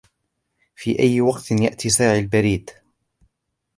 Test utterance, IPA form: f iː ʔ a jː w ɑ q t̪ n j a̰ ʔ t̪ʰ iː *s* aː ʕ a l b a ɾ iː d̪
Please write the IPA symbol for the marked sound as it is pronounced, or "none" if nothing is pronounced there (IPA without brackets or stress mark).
s